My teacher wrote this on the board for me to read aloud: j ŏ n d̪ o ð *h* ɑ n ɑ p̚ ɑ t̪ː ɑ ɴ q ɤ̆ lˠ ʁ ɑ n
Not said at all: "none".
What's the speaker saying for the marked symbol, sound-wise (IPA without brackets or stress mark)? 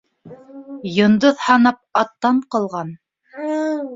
h